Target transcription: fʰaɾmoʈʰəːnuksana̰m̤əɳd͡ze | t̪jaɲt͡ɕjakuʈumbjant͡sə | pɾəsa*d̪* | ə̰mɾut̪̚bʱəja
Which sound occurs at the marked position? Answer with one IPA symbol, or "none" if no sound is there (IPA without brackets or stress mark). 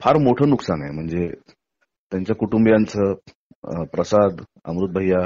d̪